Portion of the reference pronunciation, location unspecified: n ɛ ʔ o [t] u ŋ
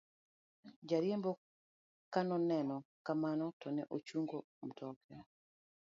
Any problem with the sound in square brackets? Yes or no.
yes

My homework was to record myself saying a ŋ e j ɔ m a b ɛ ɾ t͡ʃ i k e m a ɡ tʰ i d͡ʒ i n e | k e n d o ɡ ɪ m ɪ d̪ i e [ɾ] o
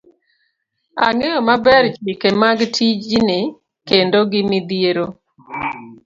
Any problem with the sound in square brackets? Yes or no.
no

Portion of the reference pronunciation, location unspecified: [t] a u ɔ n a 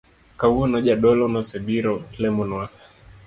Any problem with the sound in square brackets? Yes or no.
yes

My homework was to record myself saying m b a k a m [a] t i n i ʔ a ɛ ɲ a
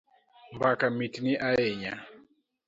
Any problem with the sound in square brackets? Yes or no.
yes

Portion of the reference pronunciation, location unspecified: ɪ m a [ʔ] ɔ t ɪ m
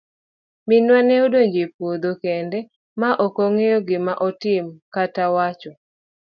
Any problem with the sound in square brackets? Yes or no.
no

